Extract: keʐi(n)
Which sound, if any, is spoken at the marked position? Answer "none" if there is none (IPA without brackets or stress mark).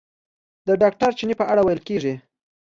none